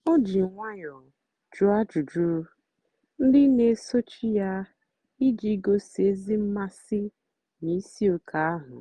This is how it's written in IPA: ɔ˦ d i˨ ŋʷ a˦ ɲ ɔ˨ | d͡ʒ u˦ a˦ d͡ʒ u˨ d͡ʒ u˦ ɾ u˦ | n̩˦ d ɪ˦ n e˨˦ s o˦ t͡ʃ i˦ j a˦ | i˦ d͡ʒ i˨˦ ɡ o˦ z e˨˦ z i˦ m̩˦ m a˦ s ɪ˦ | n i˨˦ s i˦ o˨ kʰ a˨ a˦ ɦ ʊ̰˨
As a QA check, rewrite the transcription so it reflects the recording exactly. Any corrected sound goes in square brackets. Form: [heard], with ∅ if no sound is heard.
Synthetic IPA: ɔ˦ [d͡ʒ] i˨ ŋʷ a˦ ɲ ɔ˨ | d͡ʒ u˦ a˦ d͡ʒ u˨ d͡ʒ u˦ ɾ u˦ | n̩˦ d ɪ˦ n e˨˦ s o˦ t͡ʃ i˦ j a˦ | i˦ d͡ʒ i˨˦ ɡ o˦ [s] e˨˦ z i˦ m̩˦ m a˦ s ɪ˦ | n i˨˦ s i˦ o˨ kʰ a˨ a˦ ɦ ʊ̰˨